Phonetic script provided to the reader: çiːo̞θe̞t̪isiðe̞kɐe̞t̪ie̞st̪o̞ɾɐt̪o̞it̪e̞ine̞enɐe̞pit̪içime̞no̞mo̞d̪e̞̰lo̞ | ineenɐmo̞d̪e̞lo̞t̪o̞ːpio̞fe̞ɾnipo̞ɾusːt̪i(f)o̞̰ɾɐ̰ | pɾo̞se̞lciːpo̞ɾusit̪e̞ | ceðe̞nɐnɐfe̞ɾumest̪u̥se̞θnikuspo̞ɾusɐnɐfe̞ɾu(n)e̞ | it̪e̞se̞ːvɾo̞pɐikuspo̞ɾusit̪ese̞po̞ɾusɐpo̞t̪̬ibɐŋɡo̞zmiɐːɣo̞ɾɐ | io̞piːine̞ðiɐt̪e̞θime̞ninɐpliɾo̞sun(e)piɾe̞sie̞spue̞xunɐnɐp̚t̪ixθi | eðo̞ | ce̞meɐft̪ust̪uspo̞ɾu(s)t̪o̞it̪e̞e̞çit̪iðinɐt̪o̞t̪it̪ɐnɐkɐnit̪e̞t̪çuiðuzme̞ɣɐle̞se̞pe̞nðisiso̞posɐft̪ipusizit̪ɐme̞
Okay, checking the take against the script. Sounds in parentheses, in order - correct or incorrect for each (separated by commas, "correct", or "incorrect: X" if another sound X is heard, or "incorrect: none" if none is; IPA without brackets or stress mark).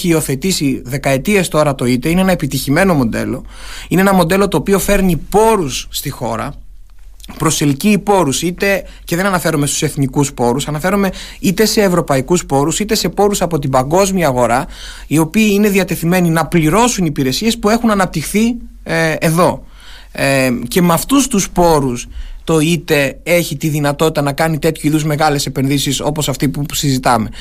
incorrect: x, incorrect: m, incorrect: i, correct